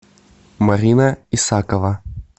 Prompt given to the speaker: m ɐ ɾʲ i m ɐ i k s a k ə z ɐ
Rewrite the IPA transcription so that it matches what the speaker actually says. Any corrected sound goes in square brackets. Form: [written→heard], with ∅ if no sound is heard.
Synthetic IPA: m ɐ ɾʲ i [m→n] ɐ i [k→∅] s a k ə [z→v] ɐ